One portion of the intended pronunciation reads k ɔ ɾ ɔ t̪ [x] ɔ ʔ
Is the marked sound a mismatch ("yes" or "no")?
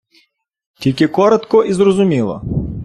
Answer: yes